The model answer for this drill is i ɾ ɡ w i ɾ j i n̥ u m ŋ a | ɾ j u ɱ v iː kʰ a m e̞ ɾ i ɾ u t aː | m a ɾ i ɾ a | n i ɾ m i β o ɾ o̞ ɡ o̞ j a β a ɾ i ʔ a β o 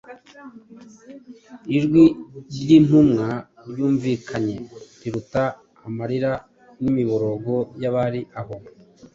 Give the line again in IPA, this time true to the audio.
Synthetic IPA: i ɾ ɡ w i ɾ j i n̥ u m ŋ a | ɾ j uː ɱ v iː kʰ a ɲ e̞ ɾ i ɾ u t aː | m a ɾ i ɾ a | n i m i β o ɾ o̞ ɡ o̞ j a β a ɾ i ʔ a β o